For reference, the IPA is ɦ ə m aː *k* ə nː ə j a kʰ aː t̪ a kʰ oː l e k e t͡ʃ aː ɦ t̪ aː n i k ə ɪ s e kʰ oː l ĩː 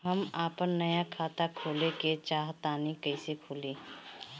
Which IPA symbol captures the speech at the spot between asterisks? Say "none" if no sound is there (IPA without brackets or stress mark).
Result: p